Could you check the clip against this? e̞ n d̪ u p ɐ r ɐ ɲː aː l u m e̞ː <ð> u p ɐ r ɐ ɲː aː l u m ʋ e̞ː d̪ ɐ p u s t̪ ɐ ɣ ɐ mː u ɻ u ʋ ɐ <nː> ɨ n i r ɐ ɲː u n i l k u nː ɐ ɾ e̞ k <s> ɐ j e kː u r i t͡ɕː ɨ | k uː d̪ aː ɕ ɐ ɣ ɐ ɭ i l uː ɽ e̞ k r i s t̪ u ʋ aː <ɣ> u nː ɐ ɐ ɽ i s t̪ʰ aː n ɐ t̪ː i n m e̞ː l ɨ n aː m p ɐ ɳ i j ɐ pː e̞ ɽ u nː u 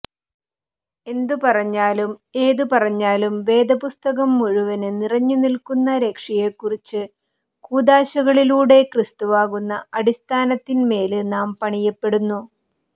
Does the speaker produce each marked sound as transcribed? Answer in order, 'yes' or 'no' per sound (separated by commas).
yes, no, no, yes